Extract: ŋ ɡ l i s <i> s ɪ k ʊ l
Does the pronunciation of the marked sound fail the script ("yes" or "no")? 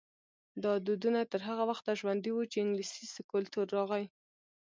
no